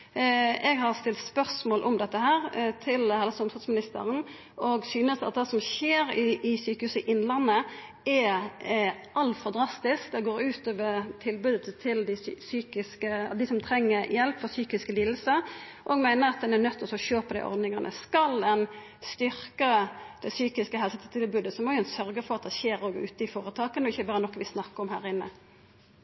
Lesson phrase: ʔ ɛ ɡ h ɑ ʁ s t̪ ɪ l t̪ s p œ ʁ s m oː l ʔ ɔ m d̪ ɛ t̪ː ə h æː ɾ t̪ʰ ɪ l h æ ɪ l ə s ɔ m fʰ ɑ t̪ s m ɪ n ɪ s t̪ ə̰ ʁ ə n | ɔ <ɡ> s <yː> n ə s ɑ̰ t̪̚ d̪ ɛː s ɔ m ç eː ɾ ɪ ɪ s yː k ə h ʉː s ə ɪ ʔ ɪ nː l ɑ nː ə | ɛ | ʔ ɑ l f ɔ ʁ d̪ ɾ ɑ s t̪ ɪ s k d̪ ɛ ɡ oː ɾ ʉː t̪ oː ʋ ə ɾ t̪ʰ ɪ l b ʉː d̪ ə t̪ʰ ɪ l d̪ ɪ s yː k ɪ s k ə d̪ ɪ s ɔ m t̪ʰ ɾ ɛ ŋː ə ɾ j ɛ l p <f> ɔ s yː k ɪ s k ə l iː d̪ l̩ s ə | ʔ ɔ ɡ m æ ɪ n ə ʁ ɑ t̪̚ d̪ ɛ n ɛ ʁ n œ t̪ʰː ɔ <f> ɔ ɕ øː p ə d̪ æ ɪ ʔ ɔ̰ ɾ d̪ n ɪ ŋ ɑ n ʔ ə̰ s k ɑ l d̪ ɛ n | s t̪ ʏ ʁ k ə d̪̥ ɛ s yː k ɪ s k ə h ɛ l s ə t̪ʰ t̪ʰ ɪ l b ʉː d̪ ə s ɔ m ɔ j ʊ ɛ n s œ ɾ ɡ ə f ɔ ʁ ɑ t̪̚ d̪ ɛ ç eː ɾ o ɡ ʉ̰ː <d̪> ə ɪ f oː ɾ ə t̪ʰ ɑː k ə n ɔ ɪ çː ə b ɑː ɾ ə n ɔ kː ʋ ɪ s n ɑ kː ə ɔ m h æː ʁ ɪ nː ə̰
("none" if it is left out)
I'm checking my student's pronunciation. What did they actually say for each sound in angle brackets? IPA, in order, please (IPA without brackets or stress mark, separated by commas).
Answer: ɡ, yː, f, s, t̪